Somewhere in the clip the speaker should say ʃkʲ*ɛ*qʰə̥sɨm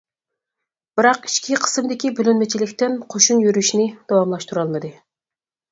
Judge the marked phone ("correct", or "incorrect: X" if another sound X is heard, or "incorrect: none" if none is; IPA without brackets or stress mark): incorrect: i